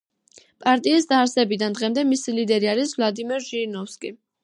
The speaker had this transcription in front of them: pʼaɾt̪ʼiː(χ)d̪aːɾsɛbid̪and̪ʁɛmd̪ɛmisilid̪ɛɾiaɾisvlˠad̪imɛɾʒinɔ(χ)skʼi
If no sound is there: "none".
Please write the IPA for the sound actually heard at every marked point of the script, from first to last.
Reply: s, f

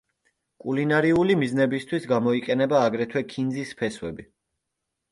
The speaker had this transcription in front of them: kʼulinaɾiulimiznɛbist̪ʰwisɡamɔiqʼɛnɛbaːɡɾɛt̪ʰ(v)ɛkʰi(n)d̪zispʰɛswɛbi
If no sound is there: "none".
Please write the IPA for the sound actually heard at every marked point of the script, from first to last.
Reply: w, n

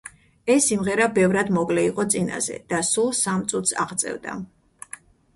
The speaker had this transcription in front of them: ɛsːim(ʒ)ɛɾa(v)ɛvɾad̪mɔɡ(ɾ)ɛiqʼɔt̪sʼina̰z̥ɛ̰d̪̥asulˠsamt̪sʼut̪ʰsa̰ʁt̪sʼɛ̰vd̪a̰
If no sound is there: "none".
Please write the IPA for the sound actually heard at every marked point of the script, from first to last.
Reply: ʁ, b, l

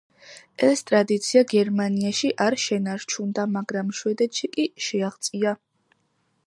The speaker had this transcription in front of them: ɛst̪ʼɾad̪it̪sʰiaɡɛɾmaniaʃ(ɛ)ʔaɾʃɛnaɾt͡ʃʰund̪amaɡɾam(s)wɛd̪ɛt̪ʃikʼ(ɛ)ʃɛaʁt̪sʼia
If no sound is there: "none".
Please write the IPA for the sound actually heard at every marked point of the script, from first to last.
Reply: i, ʃ, i

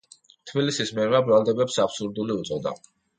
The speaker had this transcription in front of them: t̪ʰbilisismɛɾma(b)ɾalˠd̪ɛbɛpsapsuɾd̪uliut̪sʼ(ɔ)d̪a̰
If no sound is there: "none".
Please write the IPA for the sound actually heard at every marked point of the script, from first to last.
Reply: b, ɔ

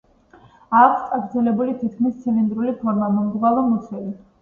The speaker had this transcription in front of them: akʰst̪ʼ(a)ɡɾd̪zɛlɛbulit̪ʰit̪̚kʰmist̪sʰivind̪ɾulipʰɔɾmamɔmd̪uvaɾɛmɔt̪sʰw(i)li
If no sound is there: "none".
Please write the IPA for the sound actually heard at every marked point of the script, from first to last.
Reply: a, ɛ

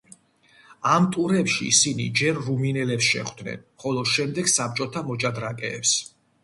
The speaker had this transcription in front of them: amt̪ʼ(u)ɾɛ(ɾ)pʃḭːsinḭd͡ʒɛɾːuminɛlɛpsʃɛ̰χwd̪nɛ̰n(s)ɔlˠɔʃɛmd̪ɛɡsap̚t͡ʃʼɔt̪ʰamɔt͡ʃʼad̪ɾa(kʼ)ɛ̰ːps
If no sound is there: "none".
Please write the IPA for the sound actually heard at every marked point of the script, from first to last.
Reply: u, none, χ, kʼ

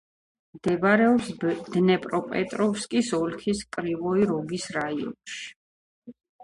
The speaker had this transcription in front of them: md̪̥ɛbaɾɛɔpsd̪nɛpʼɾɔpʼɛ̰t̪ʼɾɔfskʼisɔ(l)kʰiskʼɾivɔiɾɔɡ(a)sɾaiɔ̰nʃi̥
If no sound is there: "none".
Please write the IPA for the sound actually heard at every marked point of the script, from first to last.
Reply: l, i

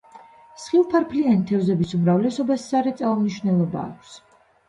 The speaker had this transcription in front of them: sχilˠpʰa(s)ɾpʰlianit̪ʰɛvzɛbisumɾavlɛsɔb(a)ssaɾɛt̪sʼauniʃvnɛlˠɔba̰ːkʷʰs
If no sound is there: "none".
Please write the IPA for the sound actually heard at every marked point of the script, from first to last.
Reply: none, a

